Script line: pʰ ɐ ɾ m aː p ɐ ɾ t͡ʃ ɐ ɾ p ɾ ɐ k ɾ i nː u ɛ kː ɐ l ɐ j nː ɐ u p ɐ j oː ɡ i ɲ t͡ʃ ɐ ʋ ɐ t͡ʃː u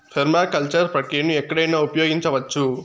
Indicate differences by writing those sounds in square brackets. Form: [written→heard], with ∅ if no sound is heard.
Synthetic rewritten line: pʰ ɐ ɾ m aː [p→k] ɐ [ɾ→l] t͡ʃ ɐ ɾ p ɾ ɐ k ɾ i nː u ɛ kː ɐ [l→ɽ] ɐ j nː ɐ u p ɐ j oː ɡ i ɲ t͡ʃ ɐ ʋ ɐ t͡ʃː u